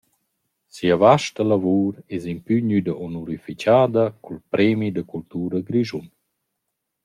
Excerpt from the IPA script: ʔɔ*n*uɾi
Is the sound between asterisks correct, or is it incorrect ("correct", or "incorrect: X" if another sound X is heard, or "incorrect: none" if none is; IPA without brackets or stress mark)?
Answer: correct